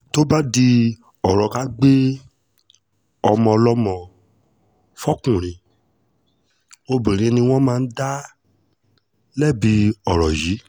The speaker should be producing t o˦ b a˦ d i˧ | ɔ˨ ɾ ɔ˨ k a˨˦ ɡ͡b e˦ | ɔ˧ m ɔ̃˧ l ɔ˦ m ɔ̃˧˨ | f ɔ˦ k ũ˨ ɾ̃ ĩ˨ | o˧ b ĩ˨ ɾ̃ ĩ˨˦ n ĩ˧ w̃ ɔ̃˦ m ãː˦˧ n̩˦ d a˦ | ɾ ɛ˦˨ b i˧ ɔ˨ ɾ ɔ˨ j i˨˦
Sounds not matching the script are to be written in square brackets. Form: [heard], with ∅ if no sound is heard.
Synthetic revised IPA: t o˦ b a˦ d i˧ | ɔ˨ ɾ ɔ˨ k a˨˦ ɡ͡b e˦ | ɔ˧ m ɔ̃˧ l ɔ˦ m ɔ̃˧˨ | f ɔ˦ k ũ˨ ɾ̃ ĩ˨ | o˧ b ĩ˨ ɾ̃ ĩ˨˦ n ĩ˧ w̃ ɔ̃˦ m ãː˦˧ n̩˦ d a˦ | [l] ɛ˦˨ b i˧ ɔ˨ ɾ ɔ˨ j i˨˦

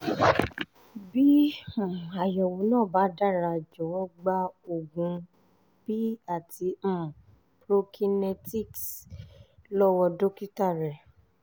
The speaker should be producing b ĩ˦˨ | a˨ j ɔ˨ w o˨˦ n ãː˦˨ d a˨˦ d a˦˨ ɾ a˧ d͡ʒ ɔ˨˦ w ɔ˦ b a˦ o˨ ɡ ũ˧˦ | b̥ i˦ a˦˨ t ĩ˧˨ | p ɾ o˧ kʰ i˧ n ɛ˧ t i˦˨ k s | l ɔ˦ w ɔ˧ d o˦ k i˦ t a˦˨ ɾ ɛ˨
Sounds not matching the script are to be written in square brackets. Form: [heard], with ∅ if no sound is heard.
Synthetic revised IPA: b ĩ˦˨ | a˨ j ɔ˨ w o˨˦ n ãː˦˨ [b] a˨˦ d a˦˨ ɾ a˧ d͡ʒ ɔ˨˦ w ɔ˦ [ɡ͡b] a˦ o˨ ɡ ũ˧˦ | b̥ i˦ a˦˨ t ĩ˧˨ | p ɾ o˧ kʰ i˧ n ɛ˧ t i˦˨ k s | l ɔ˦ w ɔ˧ d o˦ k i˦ t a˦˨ ɾ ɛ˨

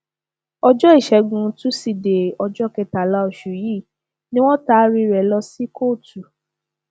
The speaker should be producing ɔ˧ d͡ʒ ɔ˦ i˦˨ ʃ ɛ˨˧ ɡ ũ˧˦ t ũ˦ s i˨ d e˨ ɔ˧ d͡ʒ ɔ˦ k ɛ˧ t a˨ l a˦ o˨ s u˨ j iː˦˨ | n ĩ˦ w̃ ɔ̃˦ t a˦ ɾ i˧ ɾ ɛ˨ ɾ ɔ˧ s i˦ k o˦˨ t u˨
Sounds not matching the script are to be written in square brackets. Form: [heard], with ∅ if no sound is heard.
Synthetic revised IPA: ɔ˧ d͡ʒ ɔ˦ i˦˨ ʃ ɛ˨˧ ɡ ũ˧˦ t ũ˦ s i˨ d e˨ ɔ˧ d͡ʒ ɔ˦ k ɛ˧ t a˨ l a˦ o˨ [ʃ] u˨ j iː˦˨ | n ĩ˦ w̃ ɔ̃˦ t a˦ ɾ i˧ ɾ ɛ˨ [l] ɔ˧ s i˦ k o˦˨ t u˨

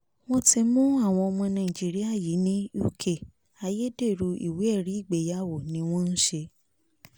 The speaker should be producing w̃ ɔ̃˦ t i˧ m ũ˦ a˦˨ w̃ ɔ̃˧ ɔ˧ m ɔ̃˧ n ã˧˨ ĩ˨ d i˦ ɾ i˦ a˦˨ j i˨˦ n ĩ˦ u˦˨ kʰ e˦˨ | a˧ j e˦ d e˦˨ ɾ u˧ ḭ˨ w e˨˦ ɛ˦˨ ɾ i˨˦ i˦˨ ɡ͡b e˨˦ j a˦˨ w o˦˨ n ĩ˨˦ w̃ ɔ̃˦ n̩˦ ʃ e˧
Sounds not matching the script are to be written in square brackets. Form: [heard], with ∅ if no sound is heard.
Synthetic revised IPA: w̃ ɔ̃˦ t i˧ m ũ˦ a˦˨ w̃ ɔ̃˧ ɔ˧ m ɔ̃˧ n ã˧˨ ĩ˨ [d͡ʒ] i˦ ɾ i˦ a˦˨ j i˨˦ n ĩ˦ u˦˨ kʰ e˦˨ | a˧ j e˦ d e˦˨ ɾ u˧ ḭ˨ w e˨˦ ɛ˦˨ ɾ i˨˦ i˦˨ ɡ͡b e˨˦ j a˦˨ w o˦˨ n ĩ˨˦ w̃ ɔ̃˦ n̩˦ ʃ e˧

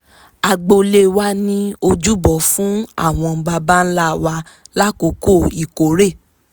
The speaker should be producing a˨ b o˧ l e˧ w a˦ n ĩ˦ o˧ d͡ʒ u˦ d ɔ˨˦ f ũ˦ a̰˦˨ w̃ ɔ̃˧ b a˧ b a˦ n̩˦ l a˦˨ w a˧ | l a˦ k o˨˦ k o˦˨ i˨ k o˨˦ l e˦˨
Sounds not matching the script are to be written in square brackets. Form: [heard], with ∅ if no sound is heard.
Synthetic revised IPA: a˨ [ɡ͡b] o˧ l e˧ w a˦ n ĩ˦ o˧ d͡ʒ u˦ [b] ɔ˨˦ f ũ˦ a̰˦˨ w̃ ɔ̃˧ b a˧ b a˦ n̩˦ l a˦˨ w a˧ | l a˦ k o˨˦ k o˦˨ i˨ k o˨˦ [ɾ] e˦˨

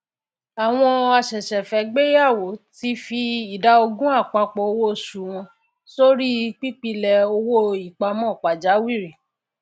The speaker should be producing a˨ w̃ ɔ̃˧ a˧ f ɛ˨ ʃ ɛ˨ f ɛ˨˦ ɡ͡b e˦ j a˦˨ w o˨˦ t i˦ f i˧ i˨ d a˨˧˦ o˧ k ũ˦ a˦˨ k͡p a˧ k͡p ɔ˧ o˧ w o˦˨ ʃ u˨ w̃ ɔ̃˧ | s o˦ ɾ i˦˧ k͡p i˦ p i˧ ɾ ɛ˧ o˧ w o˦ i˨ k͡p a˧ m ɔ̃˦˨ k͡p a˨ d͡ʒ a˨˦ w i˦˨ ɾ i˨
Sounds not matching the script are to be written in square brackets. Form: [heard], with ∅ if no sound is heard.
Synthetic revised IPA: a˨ w̃ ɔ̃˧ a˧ [ʃ] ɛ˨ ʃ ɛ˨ f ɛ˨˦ ɡ͡b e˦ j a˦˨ w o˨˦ t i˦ f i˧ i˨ d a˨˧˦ o˧ [ɡ] ũ˦ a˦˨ k͡p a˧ k͡p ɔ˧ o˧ w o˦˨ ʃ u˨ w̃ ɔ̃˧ | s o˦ ɾ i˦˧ k͡p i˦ [k͡p] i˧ [l] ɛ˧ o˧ w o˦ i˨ k͡p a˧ m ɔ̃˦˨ k͡p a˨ d͡ʒ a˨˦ w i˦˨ ɾ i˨

